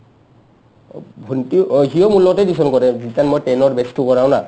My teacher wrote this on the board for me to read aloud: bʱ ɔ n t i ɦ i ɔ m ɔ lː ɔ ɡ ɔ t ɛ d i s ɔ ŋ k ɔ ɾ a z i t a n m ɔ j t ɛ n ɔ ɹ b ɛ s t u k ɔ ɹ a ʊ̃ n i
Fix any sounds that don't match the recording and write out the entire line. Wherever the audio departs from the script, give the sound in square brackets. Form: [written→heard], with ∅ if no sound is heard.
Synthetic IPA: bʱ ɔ n t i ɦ i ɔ m [ɔ→u] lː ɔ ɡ ɔ t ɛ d i s ɔ [ŋ→n] k ɔ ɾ [a→ɛ] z i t a n m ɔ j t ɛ n ɔ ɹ b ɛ s t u k ɔ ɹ a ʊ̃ n [i→a]